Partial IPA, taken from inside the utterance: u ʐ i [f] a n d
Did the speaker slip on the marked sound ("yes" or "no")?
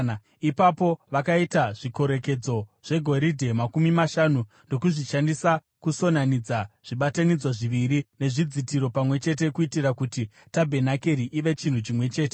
yes